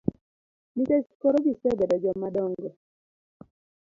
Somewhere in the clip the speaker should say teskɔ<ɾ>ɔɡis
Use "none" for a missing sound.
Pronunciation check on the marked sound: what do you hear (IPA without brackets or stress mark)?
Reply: ɾ